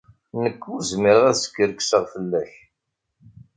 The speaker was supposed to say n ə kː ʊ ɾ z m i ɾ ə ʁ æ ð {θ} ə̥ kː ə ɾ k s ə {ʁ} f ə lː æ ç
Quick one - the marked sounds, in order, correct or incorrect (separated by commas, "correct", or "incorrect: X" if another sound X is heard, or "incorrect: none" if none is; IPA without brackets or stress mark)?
incorrect: s, correct